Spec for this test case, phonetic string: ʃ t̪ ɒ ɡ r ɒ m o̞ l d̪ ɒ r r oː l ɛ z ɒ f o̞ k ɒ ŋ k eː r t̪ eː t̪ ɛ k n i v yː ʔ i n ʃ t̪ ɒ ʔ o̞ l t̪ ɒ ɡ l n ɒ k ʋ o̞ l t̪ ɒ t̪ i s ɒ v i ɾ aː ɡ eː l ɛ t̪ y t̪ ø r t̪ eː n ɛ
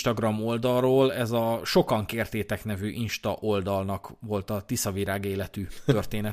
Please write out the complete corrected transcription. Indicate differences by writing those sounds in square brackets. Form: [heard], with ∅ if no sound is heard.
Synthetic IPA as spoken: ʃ t̪ ɒ ɡ r ɒ m o̞ l d̪ ɒ r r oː l ɛ z ɒ [ʃ] o̞ k ɒ ŋ k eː r t̪ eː t̪ ɛ k n [ɛ] v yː ʔ i n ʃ t̪ ɒ ʔ o̞ l [d̪] ɒ [∅] l n ɒ k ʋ o̞ l t̪ ɒ t̪ i s ɒ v i ɾ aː ɡ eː l ɛ t̪ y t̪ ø r t̪ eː n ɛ